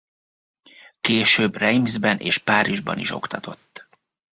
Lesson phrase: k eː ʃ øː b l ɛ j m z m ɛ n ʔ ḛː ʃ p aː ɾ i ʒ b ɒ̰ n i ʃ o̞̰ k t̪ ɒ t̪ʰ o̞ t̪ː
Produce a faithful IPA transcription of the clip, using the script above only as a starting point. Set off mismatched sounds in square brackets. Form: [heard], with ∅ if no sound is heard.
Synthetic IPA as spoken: k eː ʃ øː b [r] ɛ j m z [b] ɛ n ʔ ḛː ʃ p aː ɾ i ʒ b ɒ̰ n i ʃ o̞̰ k t̪ ɒ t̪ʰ o̞ t̪ː